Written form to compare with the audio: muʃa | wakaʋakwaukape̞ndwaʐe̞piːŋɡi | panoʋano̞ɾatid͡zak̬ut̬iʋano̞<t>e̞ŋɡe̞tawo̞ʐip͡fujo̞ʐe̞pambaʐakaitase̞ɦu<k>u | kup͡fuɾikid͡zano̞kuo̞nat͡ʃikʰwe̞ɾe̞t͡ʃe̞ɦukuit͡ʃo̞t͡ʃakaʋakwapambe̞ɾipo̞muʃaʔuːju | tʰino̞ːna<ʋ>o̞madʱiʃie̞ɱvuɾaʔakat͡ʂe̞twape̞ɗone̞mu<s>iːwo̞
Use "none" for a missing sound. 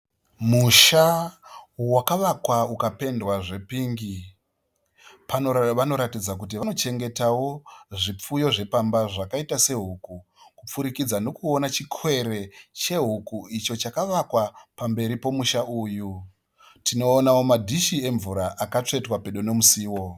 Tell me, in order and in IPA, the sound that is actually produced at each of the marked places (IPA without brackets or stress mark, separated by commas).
t͡ʃ, k, w, s